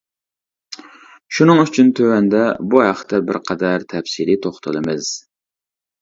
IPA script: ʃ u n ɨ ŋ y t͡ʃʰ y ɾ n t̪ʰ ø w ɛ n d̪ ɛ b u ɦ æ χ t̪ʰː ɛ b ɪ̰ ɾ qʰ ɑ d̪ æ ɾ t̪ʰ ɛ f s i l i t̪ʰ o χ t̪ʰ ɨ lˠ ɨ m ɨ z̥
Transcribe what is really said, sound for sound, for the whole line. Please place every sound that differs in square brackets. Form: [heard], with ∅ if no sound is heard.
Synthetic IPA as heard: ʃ u n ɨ ŋ y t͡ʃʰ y [∅] n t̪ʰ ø w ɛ n d̪ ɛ b u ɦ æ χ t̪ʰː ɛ b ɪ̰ ɾ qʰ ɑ d̪ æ ɾ t̪ʰ ɛ f s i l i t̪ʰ o χ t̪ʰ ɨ lˠ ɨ m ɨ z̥